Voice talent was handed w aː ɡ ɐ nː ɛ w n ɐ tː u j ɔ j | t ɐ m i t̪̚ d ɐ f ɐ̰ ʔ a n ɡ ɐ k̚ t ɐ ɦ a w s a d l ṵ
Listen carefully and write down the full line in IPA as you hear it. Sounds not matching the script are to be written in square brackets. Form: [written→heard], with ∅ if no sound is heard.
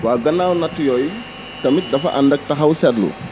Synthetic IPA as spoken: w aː ɡ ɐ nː [ɛ→a] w n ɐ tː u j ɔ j | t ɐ m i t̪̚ d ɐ f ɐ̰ ʔ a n [ɡ→d] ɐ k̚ t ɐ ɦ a w s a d l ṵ